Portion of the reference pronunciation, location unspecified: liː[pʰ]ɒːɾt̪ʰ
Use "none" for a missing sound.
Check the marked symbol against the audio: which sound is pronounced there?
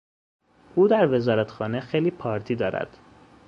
pʰ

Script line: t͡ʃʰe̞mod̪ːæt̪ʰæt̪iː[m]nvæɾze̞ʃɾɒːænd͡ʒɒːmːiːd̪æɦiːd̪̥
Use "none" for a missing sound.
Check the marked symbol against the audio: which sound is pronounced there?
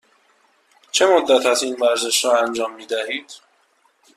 none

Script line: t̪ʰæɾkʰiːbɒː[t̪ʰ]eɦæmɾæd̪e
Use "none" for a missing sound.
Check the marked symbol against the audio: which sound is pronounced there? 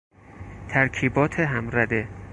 t̪ʰ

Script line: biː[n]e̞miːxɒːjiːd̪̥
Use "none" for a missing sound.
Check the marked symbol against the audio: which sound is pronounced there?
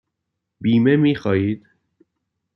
m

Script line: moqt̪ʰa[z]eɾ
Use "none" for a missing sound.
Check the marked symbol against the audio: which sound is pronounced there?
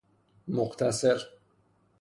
s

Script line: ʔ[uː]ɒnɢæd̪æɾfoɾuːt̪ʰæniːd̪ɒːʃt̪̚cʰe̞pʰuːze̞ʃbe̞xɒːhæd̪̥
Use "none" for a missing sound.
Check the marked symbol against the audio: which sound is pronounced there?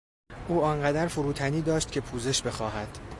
uː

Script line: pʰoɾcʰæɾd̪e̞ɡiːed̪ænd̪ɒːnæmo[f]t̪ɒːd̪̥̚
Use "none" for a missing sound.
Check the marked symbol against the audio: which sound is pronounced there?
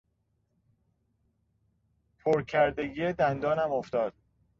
f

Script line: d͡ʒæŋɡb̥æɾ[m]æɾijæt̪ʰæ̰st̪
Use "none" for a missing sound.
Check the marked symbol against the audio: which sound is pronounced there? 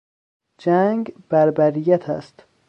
b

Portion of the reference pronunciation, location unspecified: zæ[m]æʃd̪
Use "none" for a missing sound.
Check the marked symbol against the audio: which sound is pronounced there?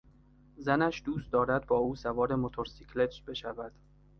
n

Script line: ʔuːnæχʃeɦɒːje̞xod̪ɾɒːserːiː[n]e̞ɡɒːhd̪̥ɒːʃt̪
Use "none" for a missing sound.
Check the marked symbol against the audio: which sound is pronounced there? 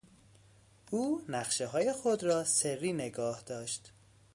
n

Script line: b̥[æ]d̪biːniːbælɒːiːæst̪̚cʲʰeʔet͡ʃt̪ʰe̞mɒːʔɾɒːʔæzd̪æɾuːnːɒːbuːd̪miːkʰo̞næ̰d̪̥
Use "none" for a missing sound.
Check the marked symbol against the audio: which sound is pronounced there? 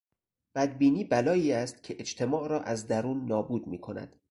æ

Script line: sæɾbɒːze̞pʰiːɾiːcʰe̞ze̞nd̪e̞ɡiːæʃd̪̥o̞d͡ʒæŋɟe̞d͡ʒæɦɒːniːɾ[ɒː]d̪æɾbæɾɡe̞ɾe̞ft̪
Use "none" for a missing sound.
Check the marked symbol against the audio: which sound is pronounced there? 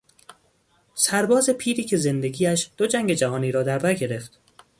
ɒː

